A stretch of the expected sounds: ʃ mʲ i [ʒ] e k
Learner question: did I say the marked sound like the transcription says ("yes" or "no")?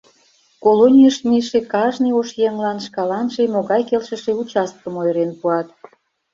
no